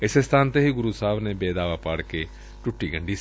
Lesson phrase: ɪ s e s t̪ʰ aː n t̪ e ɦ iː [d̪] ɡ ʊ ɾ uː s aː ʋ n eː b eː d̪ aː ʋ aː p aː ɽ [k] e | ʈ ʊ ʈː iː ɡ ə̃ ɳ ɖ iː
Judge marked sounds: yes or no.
no, yes

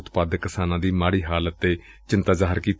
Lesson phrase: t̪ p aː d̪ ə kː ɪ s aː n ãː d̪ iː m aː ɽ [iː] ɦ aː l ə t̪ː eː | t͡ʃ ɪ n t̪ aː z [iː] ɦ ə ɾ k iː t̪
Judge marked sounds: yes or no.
yes, no

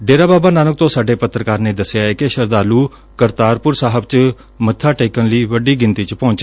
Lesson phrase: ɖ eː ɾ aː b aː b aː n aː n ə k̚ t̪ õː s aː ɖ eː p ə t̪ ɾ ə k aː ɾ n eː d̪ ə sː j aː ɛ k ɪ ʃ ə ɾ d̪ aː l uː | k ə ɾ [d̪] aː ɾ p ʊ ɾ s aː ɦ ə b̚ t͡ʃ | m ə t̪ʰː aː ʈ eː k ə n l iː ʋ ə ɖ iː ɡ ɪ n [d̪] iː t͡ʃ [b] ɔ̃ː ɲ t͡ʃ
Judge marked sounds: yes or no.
no, no, no

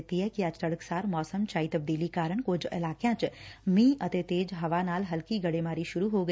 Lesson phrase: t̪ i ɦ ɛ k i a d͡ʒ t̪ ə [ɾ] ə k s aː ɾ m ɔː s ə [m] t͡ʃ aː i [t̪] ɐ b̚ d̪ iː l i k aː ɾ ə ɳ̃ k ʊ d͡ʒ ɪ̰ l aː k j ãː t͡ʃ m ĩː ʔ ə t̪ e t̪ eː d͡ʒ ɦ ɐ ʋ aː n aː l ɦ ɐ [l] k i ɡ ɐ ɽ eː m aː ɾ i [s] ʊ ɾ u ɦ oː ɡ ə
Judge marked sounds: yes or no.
no, yes, yes, yes, no

